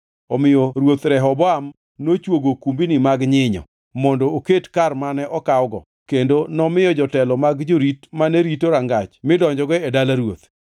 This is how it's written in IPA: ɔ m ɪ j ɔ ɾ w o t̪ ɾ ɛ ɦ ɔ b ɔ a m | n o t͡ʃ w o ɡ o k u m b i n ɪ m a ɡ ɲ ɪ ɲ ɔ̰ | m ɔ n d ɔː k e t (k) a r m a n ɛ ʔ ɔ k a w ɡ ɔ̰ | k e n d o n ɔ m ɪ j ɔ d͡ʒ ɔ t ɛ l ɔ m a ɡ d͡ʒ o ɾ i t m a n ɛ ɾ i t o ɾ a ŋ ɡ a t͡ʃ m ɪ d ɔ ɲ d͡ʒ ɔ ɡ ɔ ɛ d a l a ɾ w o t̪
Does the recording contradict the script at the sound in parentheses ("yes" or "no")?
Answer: no